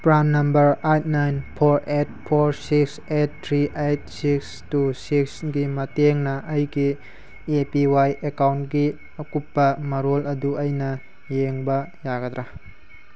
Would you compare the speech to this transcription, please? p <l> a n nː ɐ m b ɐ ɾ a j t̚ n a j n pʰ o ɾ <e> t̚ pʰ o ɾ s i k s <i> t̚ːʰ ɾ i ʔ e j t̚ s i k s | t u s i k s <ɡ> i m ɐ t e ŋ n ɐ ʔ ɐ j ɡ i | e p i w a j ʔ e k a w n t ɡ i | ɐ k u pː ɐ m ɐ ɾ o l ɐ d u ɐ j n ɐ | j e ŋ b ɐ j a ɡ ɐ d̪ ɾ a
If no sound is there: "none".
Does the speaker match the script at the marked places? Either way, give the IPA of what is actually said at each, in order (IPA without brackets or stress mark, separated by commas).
ɾ, e, e, ɡ